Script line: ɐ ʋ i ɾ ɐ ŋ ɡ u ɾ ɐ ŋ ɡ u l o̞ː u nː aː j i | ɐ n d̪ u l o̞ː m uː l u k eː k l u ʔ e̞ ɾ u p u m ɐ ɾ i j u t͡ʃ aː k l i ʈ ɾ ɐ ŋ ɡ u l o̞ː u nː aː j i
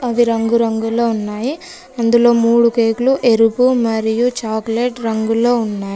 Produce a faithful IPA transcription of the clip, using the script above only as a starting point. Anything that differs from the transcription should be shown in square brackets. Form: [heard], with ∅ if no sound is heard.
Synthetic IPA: ɐ ʋ i ɾ ɐ ŋ ɡ u ɾ ɐ ŋ ɡ u l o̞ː u nː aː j i | ɐ n d̪ u l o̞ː m uː [ɽ] u k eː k l u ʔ e̞ ɾ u p u m ɐ ɾ i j u t͡ʃ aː k l [e] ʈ ɾ ɐ ŋ ɡ u l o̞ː u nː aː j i